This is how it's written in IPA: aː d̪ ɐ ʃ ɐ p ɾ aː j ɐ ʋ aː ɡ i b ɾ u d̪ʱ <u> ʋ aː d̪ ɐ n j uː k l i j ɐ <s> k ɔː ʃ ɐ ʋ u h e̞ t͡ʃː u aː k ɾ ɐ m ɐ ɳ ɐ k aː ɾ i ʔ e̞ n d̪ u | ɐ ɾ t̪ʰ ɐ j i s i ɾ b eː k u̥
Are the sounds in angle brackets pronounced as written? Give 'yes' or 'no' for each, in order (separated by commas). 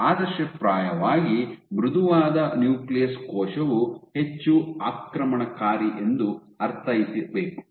yes, yes